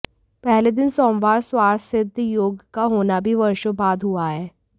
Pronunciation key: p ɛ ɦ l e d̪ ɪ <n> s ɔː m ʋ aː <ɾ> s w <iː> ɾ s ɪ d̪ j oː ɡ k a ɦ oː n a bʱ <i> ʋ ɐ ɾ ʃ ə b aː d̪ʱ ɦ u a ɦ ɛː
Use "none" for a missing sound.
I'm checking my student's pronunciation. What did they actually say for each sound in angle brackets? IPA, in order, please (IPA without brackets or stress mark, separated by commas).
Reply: n, ɾ, aː, i